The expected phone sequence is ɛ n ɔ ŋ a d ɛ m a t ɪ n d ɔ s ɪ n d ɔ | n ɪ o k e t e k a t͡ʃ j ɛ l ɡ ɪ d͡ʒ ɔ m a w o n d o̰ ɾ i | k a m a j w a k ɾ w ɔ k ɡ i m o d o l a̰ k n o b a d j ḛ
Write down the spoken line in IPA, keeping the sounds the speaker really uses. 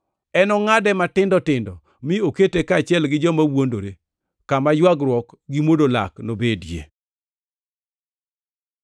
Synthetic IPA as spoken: ɛ n ɔ ŋ a d ɛ m a t ɪ n d ɔ t ɪ n d ɔ | m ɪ o k e t e k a t͡ʃ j ɛ l ɡ ɪ d͡ʒ ɔ m a w o n d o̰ ɾ e | k a m a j w a ɡ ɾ w ɔ k ɡ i m o d o l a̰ k n o b e d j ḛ

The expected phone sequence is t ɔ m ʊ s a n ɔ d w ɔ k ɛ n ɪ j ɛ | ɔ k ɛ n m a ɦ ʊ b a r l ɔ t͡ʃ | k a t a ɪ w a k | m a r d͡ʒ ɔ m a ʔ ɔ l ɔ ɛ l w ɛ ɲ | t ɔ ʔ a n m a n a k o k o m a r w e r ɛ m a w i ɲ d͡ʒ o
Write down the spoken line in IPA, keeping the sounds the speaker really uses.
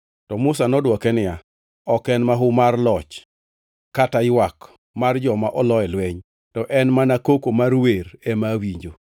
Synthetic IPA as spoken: t ɔ m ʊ s a n ɔ d w ɔ k ɛ n ɪ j a | ɔ k ɛ n m a ɦ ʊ m a r l ɔ t͡ʃ | k a t a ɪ w a k | m a r d͡ʒ ɔ m a ʔ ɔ l ɔ ɛ l w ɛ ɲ | t ɔ ʔ ɛ n m a n a k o k o m a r w e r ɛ m a w i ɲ d͡ʒ o

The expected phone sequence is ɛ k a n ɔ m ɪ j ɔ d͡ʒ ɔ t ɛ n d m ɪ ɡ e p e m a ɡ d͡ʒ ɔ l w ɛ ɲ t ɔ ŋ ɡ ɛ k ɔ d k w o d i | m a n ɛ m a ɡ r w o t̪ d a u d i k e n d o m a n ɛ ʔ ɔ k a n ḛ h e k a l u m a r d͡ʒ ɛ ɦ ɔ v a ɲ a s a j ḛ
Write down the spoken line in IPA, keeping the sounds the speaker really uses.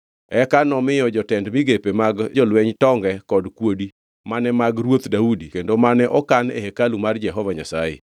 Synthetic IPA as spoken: ɛ k a n ɔ m ɪ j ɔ d͡ʒ ɔ t ɛ n d m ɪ ɡ e p e m a ɡ d͡ʒ ɔ l w ɛ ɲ t ɔ ŋ ɡ ɛ k ɔ d k w o d i | m a n ɛ m a ɡ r w o t̪ d a u d i k e n d o m a n ɛ ʔ ɔ k a n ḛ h e k a l u m a r d͡ʒ ɛ ɦ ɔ v a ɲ a s a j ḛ

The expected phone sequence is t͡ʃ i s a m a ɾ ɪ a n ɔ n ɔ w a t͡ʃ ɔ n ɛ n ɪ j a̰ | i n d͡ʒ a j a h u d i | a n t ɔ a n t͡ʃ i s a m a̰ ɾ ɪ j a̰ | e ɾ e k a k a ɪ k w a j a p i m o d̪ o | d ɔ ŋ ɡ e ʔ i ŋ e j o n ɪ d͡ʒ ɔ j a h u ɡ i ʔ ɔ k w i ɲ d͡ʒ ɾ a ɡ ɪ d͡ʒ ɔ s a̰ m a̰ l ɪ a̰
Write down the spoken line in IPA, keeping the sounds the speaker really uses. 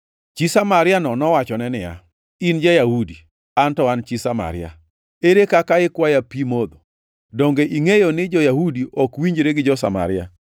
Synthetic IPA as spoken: t͡ʃ i s a m a ɾ ɪ a n ɔ n ɔ w a t͡ʃ ɔ n ɛ n ɪ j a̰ | i n d͡ʒ a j a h u d i | a n t ɔ a n t͡ʃ i s a m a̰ ɾ ɪ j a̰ | e ɾ e k a k a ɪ k w a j a p i m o d̪ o | d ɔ ŋ ɡ e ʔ i ŋ e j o n ɪ d͡ʒ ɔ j a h u d i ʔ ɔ k w i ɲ d͡ʒ ɾ e ɡ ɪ d͡ʒ ɔ s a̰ m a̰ ɾ ɪ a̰

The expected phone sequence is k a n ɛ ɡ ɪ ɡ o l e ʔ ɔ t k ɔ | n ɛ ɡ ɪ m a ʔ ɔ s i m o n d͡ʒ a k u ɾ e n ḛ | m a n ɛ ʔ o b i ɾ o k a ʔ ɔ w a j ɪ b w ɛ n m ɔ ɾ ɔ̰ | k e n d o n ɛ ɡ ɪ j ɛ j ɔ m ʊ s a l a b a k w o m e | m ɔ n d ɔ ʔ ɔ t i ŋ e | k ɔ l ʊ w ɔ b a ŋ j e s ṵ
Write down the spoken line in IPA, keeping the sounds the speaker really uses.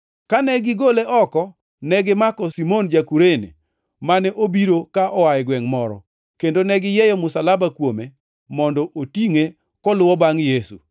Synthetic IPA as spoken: k a n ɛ ɡ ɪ ɡ o l e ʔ ɔ k ɔ | n ɛ ɡ ɪ m a k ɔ s i m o n d͡ʒ a k u ɾ e n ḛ | m a n ɛ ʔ o b i ɾ o k a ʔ ɔ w a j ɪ ɡ w ɛ ŋ m ɔ ɾ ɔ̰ | k e n d o n ɛ ɡ ɪ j ɛ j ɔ m ʊ s a l a b a k w o m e | m ɔ n d ɔ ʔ o t i ŋ e | k ɔ l ʊ w ɔ b a ŋ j e s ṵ

